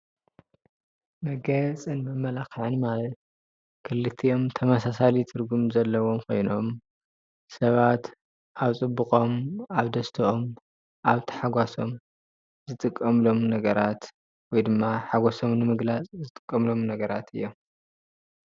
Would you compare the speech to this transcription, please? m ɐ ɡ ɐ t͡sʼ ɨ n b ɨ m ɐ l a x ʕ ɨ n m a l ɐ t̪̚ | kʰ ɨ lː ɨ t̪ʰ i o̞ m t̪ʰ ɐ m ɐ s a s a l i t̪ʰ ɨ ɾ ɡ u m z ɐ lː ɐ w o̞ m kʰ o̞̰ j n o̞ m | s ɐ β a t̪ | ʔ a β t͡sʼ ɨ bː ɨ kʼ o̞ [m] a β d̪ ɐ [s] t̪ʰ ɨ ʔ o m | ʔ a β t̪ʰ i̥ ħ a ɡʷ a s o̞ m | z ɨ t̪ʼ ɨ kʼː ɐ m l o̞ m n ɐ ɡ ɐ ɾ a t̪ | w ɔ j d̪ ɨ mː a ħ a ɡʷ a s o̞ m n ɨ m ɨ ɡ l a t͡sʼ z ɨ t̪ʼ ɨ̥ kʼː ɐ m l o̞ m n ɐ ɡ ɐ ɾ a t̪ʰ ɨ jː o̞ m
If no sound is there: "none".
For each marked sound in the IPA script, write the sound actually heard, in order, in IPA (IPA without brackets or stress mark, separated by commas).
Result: m, s